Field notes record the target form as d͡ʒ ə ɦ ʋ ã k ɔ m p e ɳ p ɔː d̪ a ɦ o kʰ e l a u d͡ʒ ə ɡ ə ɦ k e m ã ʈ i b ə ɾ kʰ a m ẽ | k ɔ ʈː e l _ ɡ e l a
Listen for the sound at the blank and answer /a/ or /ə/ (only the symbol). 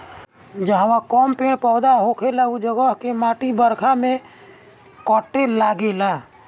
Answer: a